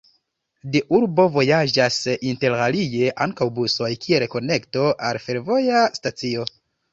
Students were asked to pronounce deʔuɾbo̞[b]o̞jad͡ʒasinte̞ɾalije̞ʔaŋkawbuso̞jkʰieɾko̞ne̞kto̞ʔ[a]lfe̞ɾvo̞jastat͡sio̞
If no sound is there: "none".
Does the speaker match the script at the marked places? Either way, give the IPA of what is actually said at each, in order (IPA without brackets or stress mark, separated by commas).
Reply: v, a